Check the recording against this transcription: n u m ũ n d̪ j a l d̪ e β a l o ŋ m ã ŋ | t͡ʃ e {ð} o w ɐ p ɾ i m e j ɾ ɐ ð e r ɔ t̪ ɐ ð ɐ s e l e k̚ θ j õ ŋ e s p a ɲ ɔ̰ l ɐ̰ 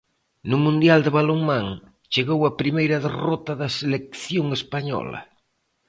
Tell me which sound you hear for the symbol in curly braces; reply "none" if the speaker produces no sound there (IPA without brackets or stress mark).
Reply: ɣ